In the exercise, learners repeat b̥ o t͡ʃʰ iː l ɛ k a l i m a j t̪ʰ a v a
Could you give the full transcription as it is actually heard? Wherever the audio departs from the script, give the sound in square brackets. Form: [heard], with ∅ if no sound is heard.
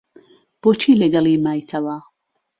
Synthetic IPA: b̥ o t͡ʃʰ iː l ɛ [ɡ] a l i m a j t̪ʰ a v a

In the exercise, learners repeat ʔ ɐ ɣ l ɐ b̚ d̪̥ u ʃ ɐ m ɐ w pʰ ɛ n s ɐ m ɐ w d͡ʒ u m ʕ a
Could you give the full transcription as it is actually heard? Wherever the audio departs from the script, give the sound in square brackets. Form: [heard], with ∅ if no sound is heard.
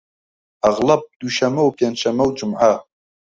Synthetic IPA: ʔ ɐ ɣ l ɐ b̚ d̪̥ u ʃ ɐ m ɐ w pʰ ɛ n [ʃ] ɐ m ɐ w d͡ʒ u m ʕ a

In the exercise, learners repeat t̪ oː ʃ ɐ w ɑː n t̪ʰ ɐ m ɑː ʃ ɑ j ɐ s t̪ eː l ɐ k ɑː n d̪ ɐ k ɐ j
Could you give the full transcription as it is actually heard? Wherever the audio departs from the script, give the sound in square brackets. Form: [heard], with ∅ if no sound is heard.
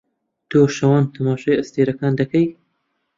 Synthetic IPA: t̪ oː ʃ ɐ w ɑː n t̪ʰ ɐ m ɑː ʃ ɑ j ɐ s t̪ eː [ɾ] ɐ k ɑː n d̪ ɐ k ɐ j

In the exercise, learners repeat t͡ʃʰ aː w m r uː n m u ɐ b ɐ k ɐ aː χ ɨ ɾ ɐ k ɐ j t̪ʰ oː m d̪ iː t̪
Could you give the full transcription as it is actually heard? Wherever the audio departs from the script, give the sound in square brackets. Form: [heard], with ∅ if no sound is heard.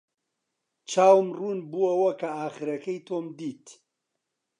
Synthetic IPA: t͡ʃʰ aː w m r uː n [b] u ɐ [w] ɐ k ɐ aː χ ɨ ɾ ɐ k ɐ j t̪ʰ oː m d̪ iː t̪

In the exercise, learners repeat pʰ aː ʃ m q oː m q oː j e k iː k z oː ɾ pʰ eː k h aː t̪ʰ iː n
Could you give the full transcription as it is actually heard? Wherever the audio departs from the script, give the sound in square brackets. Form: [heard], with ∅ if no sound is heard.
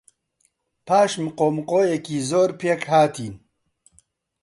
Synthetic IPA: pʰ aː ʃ m q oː m q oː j e k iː [∅] z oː ɾ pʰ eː k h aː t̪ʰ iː n

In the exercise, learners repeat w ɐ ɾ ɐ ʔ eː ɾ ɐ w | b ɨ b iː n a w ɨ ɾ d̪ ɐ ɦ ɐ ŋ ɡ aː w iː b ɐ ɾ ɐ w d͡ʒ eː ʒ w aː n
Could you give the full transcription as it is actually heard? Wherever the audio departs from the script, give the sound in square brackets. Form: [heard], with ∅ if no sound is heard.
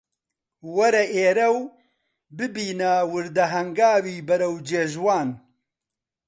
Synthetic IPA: w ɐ ɾ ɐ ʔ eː ɾ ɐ w | b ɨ b iː n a w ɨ ɾ d̪ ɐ ɦ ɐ ŋ ɡ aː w iː b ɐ ɾ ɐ w d͡ʒ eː ʒ w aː n

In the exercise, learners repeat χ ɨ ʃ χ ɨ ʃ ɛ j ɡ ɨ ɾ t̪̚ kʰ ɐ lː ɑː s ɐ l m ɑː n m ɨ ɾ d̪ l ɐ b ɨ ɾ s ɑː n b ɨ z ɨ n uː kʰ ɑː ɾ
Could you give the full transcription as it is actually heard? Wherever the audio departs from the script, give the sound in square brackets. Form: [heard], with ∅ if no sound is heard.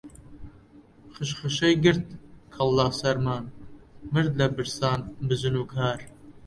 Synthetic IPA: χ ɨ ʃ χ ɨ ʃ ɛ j ɡ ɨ ɾ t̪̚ kʰ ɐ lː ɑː s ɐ [ɾ] m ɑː n m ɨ ɾ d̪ l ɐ b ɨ ɾ s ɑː n b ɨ z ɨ n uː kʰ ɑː ɾ

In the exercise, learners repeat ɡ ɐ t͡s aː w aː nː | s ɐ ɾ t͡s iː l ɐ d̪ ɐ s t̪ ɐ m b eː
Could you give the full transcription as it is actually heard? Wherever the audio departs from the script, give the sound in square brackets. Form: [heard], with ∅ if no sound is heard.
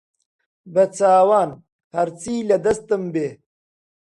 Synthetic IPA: [b] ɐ t͡s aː w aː [n] | [h] ɐ ɾ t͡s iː l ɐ d̪ ɐ s t̪ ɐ m b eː

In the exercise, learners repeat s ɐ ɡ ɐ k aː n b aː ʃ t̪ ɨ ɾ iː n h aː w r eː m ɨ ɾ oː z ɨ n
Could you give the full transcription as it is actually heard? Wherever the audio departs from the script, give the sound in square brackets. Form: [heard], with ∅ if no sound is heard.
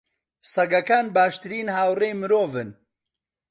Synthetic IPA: s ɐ ɡ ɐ k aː n b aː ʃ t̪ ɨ ɾ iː n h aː w r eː m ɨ ɾ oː [v] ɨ n

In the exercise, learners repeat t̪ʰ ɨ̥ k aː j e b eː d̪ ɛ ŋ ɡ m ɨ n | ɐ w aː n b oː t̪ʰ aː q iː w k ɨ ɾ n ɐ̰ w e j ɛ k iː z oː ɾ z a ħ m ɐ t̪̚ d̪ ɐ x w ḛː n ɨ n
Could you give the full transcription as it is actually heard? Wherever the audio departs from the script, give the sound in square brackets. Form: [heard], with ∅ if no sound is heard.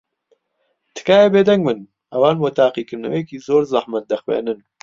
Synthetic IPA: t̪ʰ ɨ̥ k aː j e b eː d̪ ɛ ŋ ɡ m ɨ n | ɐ w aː n b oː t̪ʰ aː q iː [∅] k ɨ ɾ n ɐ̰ w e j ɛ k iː z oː ɾ z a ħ m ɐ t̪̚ d̪ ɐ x w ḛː n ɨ n

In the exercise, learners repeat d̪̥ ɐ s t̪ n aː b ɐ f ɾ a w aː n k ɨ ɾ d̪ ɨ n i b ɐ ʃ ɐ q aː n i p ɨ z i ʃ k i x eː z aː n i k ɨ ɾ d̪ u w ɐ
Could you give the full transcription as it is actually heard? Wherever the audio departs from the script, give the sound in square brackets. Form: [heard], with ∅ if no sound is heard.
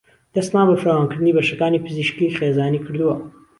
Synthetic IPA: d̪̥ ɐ s t̪ n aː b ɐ f ɾ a w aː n k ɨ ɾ d̪ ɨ n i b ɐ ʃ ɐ [k] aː n i p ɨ z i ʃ k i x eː z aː n i k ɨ ɾ d̪ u w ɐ

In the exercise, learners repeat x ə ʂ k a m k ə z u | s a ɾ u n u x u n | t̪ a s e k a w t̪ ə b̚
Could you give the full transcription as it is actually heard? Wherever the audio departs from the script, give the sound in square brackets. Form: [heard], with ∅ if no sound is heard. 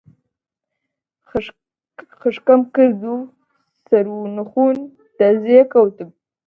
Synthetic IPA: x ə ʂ k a m k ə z u | s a ɾ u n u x u n | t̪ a [z] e k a w t̪ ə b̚

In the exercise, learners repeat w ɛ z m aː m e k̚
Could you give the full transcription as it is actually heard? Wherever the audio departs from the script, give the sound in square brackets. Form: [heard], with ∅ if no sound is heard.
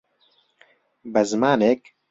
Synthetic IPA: [b] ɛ z m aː [n] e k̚

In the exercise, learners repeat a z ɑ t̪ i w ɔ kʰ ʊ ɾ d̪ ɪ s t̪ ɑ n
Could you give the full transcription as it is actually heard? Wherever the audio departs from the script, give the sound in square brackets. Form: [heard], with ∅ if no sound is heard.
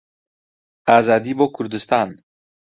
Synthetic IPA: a z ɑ [d̪] i [b] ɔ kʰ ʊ ɾ d̪ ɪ s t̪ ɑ n

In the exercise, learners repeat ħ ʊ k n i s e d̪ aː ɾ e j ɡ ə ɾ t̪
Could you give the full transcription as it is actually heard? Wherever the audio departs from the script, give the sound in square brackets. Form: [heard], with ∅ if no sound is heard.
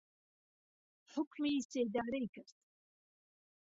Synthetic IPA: ħ ʊ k [m] i s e d̪ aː ɾ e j [k] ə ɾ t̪

